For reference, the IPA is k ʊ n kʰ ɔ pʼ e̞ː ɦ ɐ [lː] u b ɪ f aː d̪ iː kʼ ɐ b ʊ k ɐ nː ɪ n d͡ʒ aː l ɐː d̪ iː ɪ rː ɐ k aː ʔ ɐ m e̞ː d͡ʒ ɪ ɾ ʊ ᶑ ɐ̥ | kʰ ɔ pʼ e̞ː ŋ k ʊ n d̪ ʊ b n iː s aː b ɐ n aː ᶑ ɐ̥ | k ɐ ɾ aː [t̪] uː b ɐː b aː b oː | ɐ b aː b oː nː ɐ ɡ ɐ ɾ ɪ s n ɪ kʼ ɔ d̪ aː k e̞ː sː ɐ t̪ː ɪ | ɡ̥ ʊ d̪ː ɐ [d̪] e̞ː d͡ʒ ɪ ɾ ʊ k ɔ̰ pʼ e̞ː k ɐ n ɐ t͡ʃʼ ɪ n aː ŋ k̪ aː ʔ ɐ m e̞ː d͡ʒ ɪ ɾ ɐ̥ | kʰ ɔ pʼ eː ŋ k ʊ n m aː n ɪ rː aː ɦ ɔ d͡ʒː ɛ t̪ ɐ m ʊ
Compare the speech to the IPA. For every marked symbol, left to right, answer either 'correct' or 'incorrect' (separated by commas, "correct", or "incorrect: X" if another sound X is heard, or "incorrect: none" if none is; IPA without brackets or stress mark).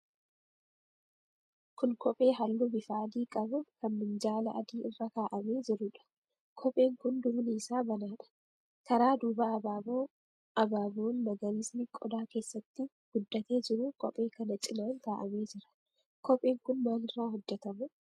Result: correct, incorrect: d̪, incorrect: t̪